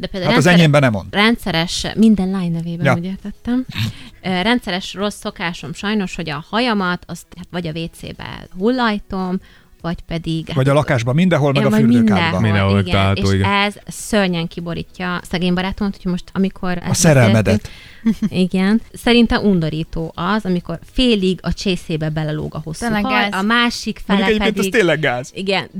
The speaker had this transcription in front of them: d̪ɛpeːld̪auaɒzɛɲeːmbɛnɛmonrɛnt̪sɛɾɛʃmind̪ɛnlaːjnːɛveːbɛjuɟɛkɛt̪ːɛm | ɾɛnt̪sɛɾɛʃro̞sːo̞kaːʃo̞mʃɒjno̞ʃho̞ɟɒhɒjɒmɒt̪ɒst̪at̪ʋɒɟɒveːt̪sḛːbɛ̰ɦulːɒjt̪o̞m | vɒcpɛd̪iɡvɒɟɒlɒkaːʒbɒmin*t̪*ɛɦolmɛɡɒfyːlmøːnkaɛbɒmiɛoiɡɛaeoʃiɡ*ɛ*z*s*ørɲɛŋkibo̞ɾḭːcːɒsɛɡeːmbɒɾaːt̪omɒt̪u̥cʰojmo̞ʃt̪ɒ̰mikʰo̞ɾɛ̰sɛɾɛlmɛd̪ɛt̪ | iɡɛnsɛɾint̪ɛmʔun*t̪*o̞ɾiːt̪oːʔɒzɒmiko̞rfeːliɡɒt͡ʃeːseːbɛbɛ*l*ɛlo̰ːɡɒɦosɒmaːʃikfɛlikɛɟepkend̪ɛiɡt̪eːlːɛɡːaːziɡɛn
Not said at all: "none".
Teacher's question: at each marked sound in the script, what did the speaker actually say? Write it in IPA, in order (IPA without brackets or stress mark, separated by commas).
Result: d̪, ɛ, s, d̪, l